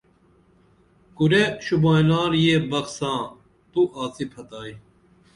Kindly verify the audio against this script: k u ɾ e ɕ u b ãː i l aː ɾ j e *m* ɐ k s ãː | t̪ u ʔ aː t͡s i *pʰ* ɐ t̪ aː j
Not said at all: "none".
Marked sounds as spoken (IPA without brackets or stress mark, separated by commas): b, pʰ